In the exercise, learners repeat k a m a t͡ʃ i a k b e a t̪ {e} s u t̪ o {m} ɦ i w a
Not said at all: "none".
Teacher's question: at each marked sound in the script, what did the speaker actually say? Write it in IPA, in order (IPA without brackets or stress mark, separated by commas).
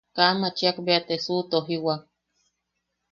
e, none